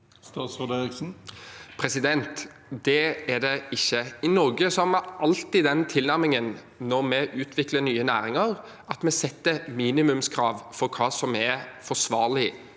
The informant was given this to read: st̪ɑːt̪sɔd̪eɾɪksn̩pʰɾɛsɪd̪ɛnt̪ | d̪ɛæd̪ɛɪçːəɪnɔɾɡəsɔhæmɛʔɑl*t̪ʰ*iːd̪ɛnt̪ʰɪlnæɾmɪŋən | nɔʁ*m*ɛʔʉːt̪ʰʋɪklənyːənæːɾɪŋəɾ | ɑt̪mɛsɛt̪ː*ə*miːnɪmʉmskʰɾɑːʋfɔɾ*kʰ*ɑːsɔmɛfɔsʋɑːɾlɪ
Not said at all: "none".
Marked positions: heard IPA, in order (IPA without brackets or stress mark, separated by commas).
t̪, m, ə, kʰ